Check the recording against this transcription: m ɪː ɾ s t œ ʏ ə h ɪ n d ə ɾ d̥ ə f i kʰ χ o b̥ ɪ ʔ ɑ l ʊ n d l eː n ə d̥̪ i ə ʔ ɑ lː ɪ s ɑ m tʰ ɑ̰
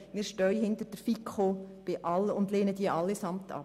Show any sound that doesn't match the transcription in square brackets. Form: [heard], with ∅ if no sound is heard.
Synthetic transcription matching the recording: m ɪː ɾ [ʃ] t œ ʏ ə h ɪ n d ə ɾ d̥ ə f i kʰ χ o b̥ ɪ ʔ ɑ l ʊ n d l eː n ə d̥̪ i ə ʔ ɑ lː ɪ s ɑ m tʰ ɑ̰